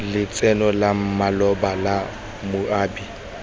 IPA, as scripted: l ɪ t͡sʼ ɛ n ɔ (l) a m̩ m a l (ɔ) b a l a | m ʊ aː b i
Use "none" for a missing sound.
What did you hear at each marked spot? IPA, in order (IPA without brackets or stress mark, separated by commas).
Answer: l, ɔ